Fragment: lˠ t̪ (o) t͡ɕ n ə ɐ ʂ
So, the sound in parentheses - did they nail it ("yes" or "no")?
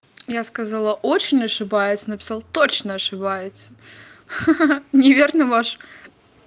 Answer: yes